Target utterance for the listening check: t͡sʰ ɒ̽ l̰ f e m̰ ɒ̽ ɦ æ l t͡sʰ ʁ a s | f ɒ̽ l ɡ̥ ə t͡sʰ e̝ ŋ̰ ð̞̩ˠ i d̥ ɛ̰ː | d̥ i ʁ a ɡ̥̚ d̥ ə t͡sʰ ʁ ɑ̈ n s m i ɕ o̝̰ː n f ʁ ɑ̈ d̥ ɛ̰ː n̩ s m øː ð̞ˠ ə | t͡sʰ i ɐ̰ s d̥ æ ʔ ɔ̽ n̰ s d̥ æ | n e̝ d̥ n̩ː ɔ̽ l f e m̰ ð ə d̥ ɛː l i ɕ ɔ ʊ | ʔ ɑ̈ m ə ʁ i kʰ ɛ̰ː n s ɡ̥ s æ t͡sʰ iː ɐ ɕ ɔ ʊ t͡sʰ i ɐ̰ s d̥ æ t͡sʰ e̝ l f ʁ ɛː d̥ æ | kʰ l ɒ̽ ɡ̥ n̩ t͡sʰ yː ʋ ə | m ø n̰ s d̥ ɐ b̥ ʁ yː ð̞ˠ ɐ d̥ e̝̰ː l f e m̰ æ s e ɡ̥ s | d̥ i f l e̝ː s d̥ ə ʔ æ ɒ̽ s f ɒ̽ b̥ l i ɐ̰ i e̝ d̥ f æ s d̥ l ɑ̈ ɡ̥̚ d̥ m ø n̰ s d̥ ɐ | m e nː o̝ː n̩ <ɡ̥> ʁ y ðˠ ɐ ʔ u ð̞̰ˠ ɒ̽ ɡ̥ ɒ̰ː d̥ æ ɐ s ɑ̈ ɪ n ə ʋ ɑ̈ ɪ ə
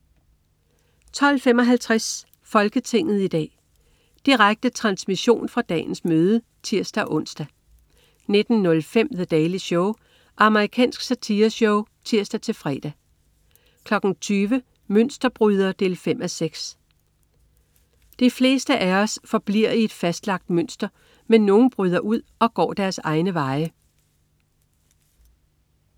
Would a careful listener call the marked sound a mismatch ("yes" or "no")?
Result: yes